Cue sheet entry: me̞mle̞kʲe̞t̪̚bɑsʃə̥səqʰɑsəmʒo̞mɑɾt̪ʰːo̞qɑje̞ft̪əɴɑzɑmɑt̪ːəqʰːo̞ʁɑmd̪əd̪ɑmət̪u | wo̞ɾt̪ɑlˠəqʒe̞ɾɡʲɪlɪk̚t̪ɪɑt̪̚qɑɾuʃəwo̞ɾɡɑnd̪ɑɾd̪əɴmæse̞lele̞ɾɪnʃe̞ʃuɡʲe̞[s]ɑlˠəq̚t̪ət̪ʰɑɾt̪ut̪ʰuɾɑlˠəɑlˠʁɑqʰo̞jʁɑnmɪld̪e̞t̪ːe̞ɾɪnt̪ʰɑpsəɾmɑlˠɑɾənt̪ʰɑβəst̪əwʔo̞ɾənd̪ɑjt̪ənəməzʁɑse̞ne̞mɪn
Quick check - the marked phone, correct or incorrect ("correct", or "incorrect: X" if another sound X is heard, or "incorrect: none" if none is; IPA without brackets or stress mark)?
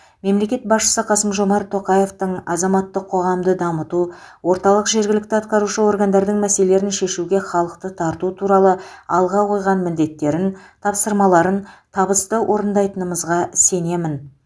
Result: incorrect: χ